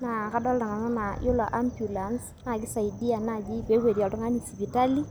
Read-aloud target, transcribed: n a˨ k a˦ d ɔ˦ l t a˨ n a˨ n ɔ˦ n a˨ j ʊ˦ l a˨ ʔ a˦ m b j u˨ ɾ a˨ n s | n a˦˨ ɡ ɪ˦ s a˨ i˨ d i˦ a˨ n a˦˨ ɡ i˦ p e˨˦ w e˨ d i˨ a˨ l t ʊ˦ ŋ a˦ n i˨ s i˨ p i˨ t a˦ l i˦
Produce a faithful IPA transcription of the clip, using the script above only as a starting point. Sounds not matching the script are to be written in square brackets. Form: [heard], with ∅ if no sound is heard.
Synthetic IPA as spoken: n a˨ k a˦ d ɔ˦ l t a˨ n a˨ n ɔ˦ n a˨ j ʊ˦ l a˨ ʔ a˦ m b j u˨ [l] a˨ n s | n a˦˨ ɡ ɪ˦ s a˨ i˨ d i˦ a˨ n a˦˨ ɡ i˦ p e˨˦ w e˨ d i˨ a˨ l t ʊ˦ ŋ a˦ n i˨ s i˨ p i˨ t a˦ l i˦